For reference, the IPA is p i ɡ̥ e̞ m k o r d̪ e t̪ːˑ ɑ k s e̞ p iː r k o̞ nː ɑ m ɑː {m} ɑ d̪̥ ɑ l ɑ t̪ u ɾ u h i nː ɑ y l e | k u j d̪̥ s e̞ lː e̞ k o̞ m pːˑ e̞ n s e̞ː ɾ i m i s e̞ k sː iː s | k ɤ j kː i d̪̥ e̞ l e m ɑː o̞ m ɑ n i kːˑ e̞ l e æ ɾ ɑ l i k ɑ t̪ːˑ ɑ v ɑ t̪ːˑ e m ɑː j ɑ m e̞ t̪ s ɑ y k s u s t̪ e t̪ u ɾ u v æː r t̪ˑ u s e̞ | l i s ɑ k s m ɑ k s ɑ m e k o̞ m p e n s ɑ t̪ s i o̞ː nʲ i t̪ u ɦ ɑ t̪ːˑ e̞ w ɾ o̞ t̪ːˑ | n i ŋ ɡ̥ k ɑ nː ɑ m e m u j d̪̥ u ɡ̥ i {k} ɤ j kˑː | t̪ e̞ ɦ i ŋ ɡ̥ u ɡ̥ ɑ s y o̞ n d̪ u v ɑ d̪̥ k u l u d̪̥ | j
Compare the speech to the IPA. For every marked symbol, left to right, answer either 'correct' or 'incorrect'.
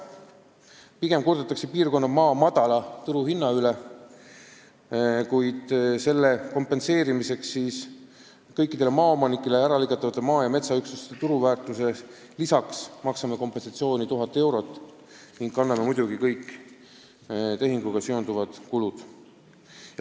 correct, correct

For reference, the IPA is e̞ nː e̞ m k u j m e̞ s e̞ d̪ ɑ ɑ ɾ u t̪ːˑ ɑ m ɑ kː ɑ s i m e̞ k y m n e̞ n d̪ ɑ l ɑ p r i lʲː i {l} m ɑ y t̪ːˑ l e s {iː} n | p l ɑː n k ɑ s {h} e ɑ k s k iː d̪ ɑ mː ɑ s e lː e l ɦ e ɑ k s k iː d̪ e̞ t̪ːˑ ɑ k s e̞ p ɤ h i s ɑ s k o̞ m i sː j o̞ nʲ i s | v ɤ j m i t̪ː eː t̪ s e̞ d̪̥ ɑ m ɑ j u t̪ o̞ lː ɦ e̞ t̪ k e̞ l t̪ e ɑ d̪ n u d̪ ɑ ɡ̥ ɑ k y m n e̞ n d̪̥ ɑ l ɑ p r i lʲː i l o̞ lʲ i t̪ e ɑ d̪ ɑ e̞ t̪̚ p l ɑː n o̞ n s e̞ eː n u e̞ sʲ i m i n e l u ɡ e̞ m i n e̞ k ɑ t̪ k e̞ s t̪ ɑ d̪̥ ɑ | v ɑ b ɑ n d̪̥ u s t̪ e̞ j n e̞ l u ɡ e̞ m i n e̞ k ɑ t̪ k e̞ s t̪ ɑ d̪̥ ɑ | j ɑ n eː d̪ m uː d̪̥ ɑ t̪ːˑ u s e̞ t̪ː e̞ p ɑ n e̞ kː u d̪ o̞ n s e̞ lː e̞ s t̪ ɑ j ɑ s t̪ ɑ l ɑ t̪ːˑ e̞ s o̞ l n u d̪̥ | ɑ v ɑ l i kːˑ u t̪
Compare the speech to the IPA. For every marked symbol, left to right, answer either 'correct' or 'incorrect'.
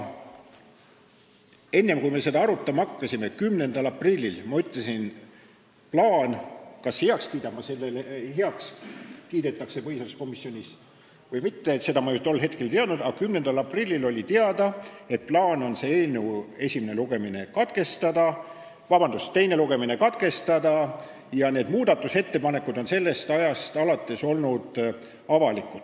correct, incorrect: i, correct

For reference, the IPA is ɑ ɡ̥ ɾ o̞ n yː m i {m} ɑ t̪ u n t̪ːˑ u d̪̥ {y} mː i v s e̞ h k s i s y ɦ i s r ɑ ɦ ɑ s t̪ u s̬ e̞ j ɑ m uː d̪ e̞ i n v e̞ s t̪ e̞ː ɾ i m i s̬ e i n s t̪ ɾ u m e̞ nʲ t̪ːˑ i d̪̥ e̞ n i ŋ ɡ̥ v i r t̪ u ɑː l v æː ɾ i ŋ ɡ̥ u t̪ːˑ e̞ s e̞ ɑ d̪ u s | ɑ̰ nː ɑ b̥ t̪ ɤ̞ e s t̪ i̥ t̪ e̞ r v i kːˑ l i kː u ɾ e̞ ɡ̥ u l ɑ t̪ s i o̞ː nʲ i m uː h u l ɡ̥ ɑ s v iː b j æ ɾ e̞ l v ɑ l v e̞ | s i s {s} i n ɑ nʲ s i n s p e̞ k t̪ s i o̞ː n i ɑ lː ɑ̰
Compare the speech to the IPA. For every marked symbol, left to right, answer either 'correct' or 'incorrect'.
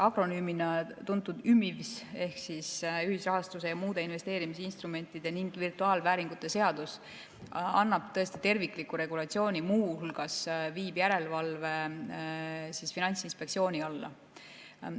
incorrect: n, correct, incorrect: f

